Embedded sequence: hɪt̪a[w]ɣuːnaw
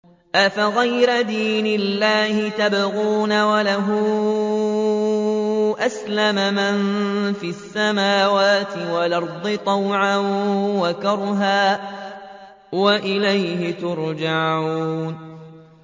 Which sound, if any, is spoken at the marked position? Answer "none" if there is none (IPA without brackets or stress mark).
b